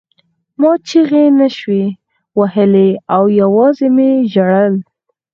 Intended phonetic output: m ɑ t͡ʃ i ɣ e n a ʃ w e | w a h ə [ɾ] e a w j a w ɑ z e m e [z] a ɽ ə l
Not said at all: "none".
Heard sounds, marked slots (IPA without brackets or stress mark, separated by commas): l, ʒ